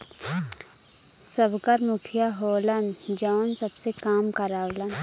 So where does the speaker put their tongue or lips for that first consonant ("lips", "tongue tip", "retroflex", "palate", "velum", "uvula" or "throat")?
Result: tongue tip